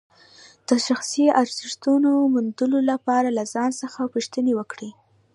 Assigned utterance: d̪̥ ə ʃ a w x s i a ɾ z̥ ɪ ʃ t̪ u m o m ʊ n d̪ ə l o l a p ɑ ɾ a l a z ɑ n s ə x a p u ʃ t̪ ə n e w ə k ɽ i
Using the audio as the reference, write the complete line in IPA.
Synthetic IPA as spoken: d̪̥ ə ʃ a x s i a ɾ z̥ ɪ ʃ t̪ u n o m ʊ n d̪ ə l o l a p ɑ ɾ a l a z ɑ n s ə x a p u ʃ t̪ ə n e w ə k ɽ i